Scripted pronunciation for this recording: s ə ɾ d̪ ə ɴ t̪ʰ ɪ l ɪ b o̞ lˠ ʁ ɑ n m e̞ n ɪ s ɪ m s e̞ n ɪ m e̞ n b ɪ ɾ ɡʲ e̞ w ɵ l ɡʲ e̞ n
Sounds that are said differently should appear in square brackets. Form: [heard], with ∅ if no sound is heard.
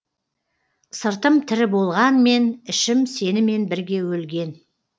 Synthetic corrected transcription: s ə ɾ [t̪] ə [m] t̪ʰ ɪ [ɾ] ɪ b o̞ lˠ ʁ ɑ n m e̞ n ɪ [ʃ] ɪ m s e̞ n ɪ m e̞ n b ɪ ɾ ɡʲ e̞ w ɵ l ɡʲ e̞ n